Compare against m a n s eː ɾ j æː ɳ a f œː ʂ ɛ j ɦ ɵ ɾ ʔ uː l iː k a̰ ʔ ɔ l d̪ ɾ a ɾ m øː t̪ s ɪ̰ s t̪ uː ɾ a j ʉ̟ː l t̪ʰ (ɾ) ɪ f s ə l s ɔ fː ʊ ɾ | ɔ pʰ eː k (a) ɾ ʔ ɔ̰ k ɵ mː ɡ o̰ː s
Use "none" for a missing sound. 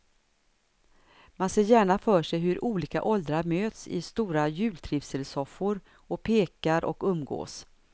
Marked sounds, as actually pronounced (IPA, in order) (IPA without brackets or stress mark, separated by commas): ɾ, a